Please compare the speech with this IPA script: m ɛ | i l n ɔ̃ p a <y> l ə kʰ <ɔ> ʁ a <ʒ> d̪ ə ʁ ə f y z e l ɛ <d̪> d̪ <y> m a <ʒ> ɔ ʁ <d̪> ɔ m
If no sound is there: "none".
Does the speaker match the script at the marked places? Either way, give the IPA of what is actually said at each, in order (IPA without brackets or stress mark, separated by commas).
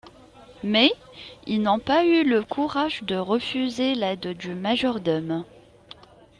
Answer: y, u, ʒ, d̪, y, ʒ, d̪